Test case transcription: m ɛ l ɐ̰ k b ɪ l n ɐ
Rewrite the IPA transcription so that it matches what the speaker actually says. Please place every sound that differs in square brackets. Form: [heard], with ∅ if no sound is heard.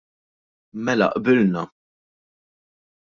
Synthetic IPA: m ɛ l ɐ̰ [ʔ] b ɪ l n ɐ